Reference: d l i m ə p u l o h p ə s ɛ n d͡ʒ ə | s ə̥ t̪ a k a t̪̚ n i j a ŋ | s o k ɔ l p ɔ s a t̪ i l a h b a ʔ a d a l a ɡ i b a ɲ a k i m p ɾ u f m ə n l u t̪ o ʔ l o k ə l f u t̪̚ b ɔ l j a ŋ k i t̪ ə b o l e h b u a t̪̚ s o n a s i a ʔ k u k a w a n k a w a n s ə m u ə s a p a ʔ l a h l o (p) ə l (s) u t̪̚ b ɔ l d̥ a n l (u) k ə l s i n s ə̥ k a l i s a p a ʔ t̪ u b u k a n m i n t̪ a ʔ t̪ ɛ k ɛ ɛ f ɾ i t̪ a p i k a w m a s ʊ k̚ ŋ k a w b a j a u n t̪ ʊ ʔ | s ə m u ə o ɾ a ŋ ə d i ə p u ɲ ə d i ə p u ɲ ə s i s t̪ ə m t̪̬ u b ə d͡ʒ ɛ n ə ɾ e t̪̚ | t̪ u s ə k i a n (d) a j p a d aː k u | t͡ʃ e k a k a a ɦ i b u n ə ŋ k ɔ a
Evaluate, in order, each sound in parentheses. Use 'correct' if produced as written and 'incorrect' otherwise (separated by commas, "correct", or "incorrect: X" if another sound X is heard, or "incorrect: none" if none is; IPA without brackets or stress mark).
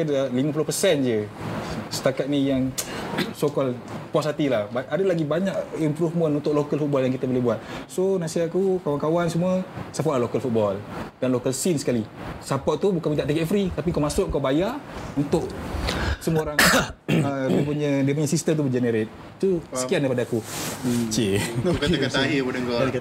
incorrect: k, incorrect: f, incorrect: o, correct